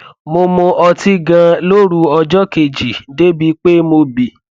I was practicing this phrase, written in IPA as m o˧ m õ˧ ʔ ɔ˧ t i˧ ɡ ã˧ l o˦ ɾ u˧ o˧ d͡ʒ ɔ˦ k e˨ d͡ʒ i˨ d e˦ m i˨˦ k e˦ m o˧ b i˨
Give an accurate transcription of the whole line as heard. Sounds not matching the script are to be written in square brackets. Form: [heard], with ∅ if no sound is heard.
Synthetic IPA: m o˧ m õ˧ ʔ ɔ˧ t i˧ ɡ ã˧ l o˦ ɾ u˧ [ɔ˧] d͡ʒ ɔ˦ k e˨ d͡ʒ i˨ d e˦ [b] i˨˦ [k͡p] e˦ m o˧ b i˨